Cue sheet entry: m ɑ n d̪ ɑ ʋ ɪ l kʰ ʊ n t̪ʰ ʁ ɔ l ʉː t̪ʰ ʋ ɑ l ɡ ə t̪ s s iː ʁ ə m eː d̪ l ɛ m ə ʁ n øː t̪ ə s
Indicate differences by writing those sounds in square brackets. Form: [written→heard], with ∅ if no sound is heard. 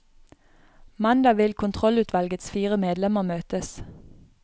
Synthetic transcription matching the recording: m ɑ n d̪ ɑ ʋ ɪ l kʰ ʊ n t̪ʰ ʁ ɔ l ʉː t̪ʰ ʋ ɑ l ɡ ə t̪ s [s→f] iː ʁ ə m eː d̪ l ɛ m ə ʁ [n→m] øː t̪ ə s

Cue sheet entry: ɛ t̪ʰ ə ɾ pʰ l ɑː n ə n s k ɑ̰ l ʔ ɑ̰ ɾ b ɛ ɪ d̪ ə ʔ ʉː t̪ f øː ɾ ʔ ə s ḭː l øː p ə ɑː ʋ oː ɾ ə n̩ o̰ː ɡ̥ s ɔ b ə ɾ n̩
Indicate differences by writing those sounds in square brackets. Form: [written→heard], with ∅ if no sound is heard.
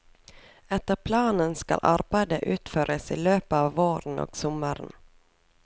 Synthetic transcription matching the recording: ɛ [t̪ʰ→t̪] ə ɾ pʰ l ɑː n ə n s k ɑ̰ l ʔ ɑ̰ ɾ b [ɛ→æ] ɪ d̪ ə ʔ ʉː t̪ f øː ɾ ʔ ə s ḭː l øː p ə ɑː ʋ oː ɾ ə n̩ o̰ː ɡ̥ s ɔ [b→m] ə ɾ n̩

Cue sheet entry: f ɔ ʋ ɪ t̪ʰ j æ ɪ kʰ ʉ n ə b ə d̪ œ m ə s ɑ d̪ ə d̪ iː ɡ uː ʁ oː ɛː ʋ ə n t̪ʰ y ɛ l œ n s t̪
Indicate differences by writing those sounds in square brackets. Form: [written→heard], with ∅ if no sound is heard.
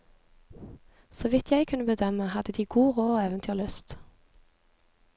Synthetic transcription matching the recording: [f→s] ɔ ʋ ɪ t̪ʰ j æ ɪ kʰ ʉ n ə b ə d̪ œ m ə [s→h] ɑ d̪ ə d̪ iː ɡ uː ʁ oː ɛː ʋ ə n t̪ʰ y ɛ l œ [n→∅] s t̪

